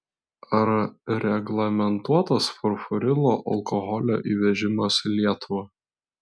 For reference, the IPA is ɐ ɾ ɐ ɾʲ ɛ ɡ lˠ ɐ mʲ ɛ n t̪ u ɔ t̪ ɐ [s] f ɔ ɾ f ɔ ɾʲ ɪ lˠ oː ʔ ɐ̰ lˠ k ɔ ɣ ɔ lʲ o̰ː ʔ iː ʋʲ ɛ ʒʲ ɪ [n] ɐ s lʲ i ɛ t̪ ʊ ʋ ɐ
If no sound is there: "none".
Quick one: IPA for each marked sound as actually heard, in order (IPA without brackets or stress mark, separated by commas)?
s, m